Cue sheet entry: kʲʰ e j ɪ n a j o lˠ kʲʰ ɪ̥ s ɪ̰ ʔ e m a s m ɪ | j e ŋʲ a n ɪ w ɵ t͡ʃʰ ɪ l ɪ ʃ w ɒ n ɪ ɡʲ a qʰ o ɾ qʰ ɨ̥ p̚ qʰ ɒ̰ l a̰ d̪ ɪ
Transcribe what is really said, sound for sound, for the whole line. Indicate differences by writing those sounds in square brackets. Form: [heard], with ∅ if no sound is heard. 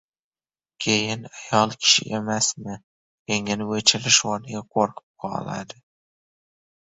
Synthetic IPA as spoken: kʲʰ e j ɪ n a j [ɒ] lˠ kʲʰ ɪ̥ [ʃ] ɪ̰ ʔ e m a s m ɪ | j e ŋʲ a n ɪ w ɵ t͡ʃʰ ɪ l ɪ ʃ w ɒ n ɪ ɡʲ a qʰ o ɾ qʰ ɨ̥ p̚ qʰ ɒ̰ l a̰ d̪ ɪ